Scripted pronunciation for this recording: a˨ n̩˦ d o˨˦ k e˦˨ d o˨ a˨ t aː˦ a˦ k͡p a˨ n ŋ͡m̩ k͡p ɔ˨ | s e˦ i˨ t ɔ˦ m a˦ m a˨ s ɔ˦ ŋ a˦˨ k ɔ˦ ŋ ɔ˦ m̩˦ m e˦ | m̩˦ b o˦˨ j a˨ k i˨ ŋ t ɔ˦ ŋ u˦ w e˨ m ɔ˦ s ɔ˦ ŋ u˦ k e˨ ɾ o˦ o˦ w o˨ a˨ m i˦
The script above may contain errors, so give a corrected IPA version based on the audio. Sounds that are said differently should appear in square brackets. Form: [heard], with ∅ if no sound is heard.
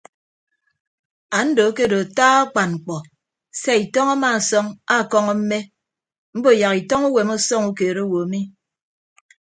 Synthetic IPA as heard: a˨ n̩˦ d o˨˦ k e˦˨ d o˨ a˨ t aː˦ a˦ k͡p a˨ n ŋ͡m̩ k͡p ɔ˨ | s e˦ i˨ t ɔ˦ [ŋ] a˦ m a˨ s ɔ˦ ŋ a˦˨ k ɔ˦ ŋ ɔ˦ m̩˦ m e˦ | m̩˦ b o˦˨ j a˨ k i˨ [∅] t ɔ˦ ŋ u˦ w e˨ m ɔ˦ s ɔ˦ ŋ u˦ k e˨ ɾ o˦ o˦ w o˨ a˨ m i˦

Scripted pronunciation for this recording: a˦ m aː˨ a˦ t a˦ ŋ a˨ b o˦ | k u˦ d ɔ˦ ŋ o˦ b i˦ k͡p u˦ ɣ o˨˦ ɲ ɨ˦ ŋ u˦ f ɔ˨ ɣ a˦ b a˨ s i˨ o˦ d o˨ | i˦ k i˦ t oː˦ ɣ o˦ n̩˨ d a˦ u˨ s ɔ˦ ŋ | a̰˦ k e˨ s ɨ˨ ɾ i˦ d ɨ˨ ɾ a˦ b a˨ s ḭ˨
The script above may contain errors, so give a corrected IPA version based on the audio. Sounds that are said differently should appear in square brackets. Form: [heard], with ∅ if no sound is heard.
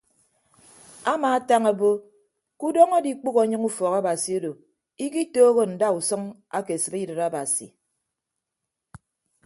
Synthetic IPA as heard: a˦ m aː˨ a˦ t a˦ ŋ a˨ b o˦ | k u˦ d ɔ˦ ŋ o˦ [d] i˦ k͡p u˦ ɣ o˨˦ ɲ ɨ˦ ŋ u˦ f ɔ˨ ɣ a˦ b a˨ s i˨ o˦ d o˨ | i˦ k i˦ t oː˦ ɣ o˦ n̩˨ d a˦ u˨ s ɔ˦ ŋ | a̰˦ k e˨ s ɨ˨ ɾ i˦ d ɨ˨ ɾ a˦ b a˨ s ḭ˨

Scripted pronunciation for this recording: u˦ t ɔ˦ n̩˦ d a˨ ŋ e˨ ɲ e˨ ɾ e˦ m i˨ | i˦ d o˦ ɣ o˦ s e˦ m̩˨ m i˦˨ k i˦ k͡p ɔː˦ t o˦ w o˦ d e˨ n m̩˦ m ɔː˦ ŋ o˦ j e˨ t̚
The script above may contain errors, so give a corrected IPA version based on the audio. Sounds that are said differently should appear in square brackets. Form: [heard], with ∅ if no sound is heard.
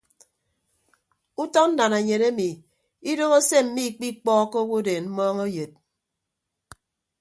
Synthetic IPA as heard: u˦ t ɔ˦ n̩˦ d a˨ [n] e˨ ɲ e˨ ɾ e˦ m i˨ | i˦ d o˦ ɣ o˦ s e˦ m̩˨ m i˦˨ [k͡p] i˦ k͡p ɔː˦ [k] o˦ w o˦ d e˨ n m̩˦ m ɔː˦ ŋ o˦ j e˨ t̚

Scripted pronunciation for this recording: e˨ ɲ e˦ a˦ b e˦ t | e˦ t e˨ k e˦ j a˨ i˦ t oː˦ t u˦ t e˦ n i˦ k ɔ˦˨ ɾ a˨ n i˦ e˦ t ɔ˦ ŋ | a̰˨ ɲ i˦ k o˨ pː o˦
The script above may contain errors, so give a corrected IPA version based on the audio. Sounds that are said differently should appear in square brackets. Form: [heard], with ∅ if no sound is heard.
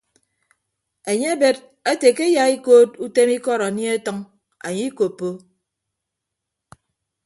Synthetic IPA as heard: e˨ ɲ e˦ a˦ b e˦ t | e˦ t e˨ k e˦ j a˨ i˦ [k] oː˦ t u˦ t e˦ [m] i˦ k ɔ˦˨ ɾ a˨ n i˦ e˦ t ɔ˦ ŋ | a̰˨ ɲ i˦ k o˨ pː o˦

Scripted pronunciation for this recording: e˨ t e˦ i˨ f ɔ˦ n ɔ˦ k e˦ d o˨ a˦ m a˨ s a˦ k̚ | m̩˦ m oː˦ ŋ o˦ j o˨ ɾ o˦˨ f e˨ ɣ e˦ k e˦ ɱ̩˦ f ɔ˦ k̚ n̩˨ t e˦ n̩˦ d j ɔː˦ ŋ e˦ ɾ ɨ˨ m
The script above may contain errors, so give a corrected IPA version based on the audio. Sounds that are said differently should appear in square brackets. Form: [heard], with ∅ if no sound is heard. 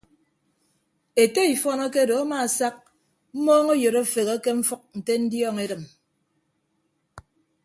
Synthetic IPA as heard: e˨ t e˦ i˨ f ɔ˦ n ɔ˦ k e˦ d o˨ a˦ m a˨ s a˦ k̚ | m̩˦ m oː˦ ŋ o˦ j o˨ ɾ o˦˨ f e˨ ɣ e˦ k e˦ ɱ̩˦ f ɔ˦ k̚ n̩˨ t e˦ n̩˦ d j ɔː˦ ŋ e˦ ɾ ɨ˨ m

